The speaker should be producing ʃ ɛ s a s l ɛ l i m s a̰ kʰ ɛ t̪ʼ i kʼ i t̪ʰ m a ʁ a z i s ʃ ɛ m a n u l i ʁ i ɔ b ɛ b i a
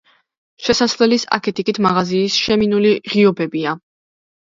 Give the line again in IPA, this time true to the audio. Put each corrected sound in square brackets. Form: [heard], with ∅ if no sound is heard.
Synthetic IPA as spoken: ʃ ɛ s a s l ɛ l i [∅] s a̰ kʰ ɛ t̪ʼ i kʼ i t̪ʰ m a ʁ a z [iː] s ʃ ɛ m [i] n u l i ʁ i ɔ b ɛ b i a

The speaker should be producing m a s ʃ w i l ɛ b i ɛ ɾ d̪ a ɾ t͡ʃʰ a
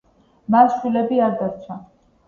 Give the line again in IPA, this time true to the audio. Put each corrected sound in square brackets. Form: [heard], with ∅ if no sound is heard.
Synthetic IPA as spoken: m a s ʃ w i l ɛ b i [a] ɾ d̪ a ɾ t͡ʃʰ a

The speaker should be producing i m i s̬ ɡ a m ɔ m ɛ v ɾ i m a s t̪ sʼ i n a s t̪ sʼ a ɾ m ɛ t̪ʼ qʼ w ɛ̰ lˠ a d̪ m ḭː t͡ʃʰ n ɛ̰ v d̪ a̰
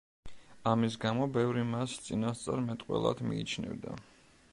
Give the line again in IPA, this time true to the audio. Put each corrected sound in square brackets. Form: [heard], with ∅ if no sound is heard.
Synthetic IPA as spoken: [a] m i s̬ ɡ a m ɔ [b] ɛ v ɾ i m a s t̪ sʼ i n a s t̪ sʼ a ɾ m ɛ t̪ʼ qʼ w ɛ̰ lˠ a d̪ m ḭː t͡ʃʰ n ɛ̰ v d̪ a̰

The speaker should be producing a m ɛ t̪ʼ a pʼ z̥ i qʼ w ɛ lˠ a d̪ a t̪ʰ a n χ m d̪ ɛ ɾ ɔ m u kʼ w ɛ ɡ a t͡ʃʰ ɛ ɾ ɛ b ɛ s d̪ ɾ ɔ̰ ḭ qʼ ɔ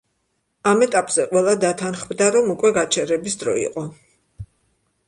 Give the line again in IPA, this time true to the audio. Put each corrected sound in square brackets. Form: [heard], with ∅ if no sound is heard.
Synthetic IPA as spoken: a m ɛ t̪ʼ a pʼ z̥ [ɛ] qʼ w ɛ lˠ a d̪ a t̪ʰ a n χ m d̪ [a] ɾ ɔ m u kʼ w ɛ ɡ a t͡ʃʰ ɛ ɾ ɛ b [i] s d̪ ɾ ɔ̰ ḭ qʼ ɔ

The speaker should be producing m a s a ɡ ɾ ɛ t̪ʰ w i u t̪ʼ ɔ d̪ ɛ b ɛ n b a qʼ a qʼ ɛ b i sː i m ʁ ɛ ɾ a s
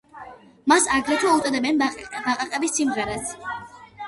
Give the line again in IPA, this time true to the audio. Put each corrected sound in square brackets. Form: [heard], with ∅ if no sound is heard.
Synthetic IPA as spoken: m a s a ɡ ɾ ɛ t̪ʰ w [a] u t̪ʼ ɔ d̪ ɛ b ɛ n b a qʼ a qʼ ɛ b i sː i m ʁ ɛ ɾ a s

